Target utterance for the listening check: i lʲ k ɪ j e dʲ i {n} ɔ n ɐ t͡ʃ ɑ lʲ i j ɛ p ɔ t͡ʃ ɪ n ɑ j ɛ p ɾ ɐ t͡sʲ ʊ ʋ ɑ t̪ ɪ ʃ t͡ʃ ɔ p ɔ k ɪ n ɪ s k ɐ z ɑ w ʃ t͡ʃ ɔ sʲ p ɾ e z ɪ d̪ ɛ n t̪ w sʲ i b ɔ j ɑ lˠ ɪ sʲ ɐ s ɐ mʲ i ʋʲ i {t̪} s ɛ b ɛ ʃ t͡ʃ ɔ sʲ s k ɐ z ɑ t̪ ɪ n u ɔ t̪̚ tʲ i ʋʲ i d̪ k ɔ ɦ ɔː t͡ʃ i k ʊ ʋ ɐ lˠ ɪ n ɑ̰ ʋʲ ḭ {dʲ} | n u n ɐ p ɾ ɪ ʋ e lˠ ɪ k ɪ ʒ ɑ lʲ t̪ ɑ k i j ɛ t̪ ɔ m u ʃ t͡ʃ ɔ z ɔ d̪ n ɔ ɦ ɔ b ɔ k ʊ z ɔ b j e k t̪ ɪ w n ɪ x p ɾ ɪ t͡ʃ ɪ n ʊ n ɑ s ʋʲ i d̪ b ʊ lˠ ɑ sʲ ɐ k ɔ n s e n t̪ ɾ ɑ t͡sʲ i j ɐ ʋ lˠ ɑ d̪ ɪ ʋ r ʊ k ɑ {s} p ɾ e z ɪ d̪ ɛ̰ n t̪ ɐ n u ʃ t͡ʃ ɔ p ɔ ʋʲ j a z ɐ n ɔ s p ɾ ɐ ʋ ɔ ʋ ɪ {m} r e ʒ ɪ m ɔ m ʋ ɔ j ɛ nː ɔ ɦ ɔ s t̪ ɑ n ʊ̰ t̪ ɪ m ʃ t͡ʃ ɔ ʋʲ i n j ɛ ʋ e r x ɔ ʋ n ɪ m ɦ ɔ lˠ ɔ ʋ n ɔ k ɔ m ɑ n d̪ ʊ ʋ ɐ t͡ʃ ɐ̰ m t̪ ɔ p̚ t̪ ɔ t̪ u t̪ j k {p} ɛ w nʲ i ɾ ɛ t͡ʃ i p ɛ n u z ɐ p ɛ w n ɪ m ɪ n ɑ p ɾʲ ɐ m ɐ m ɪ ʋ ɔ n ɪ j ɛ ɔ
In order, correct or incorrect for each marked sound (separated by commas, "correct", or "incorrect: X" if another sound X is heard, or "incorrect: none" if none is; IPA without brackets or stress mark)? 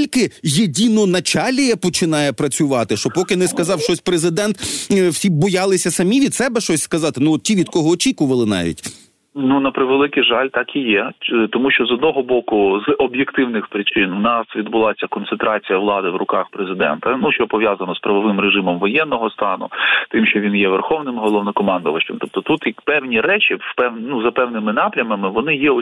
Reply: correct, incorrect: d̪, incorrect: tʲ, incorrect: x, correct, correct